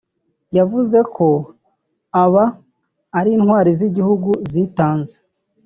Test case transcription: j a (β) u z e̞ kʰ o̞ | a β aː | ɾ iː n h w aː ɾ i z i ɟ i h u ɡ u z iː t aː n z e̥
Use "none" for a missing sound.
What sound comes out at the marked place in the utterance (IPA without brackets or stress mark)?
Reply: v